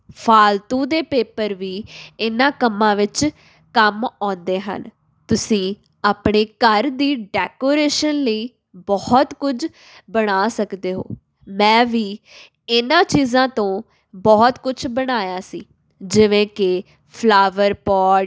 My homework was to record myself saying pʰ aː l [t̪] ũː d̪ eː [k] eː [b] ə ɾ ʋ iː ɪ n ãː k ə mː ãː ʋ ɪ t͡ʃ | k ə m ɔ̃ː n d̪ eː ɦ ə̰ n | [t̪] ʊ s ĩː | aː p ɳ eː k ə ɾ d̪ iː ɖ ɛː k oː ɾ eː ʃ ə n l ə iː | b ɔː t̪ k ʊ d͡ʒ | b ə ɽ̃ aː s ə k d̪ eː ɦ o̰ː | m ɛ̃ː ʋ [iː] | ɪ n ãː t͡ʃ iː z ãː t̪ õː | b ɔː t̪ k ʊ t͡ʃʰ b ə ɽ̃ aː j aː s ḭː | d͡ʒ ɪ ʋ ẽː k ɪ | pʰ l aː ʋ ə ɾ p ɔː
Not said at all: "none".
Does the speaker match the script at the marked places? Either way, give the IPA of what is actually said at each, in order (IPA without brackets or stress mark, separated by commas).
t̪, p, p, t̪, iː